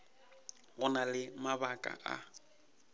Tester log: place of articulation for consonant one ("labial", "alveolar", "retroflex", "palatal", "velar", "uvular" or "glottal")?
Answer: velar